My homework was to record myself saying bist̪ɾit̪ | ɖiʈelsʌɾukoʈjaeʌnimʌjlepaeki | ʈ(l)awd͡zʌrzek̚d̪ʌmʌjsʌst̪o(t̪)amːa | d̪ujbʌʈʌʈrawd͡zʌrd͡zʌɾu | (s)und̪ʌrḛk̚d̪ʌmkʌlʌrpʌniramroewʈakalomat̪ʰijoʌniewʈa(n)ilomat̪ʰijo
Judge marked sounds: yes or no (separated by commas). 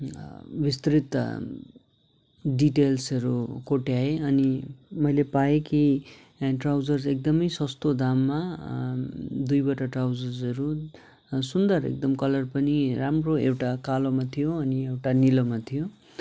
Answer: no, no, yes, yes